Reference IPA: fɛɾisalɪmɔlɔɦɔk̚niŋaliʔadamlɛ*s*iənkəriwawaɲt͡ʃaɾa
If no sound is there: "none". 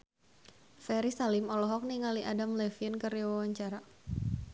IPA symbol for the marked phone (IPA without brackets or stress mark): f